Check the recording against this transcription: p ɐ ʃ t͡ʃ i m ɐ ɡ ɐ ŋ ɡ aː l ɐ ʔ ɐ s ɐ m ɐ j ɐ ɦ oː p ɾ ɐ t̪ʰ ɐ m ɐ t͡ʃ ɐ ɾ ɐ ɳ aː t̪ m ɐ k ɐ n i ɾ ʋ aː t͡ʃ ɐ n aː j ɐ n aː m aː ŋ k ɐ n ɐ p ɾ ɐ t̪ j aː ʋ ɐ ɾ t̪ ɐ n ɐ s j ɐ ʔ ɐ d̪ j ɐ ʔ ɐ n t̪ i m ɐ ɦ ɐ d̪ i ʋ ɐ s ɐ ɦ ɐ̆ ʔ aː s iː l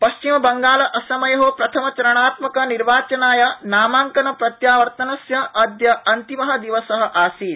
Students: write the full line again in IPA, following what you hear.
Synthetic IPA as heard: p ɐ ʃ t͡ʃ i m ɐ b ɐ ŋ ɡ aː l ɐ ʔ ɐ s ɐ m ɐ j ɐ ɦ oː p ɾ ɐ t̪ʰ ɐ m ɐ t͡ʃ ɐ ɾ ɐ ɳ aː t̪ m ɐ k ɐ n i ɾ ʋ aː t͡ʃ ɐ n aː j ɐ n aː m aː ŋ k ɐ n ɐ p ɾ ɐ t̪ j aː ʋ ɐ ɾ t̪ ɐ n ɐ s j ɐ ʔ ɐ d̪ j ɐ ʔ ɐ n t̪ i m ɐ ɦ ɐ d̪ i ʋ ɐ s ɐ ɦ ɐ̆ ʔ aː s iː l